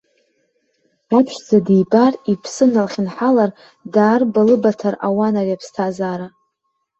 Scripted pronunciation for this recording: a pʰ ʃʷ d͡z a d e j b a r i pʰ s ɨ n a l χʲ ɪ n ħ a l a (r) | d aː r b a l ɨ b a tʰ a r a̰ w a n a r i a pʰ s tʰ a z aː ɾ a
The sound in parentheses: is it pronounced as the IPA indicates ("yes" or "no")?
yes